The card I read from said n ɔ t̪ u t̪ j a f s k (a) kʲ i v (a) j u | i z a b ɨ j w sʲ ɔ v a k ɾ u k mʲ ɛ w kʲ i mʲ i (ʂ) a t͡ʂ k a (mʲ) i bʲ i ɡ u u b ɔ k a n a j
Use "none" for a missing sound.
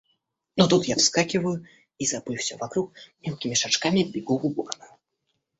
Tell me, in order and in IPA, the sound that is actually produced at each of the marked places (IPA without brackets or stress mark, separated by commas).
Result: a, ɐ, ʂ, mʲ